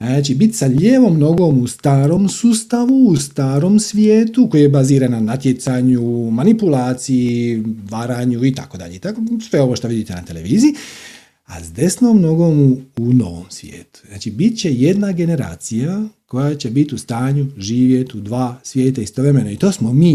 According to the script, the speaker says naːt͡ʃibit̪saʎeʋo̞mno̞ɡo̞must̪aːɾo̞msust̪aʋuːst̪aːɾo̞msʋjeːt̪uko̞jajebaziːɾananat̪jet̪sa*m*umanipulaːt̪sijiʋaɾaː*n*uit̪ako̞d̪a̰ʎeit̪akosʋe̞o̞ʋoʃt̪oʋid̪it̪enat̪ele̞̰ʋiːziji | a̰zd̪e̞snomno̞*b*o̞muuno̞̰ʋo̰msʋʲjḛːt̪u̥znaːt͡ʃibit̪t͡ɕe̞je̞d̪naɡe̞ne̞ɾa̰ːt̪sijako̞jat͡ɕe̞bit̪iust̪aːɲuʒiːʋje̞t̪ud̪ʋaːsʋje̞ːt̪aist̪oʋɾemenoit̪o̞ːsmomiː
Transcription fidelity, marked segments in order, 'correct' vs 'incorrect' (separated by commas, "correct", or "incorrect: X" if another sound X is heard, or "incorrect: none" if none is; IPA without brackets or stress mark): incorrect: ɲ, incorrect: ɲ, incorrect: ɡ